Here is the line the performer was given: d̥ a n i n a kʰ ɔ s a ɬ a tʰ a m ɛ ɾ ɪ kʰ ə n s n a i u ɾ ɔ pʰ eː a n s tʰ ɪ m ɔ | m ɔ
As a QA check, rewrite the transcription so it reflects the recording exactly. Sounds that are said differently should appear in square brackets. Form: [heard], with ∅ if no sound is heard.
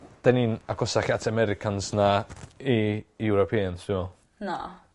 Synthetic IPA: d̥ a n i n a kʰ ɔ s a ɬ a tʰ a m ɛ ɾ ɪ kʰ [a] n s n a i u ɾ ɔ pʰ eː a n s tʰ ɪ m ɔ | [n] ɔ